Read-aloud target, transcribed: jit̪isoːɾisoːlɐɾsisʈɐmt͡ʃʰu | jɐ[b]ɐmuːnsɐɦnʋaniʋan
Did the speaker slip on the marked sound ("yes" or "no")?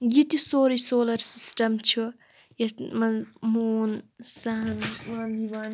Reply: yes